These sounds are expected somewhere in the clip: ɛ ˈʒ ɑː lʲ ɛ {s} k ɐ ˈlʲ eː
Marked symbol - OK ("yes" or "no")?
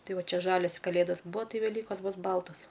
yes